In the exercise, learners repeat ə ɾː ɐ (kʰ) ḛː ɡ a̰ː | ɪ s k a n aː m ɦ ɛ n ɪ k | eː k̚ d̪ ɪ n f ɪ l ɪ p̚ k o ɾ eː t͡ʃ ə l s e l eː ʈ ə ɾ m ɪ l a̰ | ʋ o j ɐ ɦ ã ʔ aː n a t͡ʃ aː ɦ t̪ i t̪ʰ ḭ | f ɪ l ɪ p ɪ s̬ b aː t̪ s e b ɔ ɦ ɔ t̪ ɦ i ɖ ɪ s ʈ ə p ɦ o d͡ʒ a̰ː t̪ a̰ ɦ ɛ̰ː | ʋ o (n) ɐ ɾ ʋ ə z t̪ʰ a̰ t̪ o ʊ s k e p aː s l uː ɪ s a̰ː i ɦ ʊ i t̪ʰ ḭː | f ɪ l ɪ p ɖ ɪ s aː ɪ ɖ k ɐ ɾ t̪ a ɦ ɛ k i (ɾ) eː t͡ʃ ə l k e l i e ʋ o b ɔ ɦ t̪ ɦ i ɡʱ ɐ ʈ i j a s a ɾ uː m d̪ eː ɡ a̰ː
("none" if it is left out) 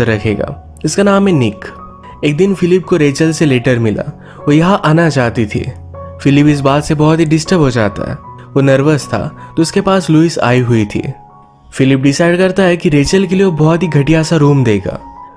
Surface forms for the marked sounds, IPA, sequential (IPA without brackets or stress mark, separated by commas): kʰ, n, ɾ